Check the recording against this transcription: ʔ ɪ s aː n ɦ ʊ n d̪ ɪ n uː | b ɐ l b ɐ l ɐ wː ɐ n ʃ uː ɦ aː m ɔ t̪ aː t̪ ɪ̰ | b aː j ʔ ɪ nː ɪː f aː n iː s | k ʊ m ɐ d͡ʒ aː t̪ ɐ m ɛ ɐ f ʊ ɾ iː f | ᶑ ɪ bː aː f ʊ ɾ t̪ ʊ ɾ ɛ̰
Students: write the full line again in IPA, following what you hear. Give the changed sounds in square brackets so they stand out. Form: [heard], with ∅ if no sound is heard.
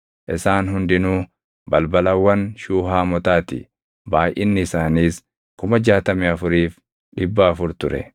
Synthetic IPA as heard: ʔ ɪ s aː n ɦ ʊ n d̪ ɪ n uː | b ɐ l b ɐ l ɐ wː ɐ n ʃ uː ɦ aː m ɔ t̪ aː t̪ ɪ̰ | b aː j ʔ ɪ nː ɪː [s] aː n iː s | k ʊ m ɐ d͡ʒ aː t̪ ɐ m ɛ ɐ f ʊ ɾ iː f | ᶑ ɪ bː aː f ʊ ɾ t̪ ʊ ɾ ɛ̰